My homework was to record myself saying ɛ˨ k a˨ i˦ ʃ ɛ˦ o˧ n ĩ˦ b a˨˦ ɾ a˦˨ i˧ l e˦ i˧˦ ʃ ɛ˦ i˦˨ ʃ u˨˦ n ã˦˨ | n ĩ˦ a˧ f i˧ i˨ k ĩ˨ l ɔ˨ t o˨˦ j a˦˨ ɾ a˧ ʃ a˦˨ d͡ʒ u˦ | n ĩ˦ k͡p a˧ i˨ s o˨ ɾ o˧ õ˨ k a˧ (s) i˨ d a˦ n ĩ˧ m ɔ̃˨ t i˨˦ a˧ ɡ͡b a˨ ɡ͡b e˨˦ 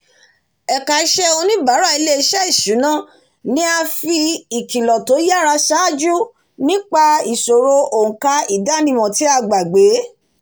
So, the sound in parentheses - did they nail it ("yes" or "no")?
no